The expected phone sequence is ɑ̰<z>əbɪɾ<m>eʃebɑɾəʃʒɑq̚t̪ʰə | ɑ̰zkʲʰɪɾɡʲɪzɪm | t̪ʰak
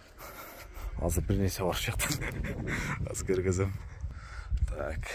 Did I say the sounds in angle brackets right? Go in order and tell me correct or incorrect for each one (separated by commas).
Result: correct, incorrect